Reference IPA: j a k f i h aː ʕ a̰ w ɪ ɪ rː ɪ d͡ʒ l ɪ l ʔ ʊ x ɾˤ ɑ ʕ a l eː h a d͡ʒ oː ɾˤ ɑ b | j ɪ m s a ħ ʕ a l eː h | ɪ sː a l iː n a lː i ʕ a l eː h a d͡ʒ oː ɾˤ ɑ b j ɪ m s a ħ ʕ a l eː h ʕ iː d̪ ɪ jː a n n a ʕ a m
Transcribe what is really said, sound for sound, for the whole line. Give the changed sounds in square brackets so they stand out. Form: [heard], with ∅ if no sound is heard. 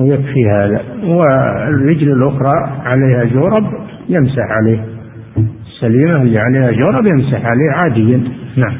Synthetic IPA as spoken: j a k f i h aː [ð] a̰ w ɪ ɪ rː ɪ d͡ʒ l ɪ l ʔ ʊ x ɾˤ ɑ ʕ a l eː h a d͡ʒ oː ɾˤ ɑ b | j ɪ m s a ħ ʕ a l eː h | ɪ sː a l iː [m] a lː i ʕ a l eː h a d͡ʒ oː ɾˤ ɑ b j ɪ m s a ħ ʕ a l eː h ʕ [aː] d̪ ɪ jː a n n a ʕ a m